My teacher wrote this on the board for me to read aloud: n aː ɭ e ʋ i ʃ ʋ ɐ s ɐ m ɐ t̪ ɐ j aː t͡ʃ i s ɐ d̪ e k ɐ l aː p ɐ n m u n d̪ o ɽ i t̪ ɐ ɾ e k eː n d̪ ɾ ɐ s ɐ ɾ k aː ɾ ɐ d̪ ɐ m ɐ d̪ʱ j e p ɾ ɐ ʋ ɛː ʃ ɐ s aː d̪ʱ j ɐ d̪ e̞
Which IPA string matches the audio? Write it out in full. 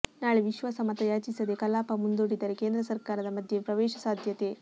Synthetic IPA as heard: n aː ɭ e ʋ i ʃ ʋ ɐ s ɐ m ɐ t̪ ɐ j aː t͡ʃ i s ɐ d̪ e k ɐ l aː p ɐ m u n d̪ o ɽ i d̪ ɐ ɾ e k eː n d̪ ɾ ɐ s ɐ ɾ k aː ɾ ɐ d̪ ɐ m ɐ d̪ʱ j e p ɾ ɐ ʋ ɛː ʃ ɐ s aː d̪ʱ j ɐ t̪ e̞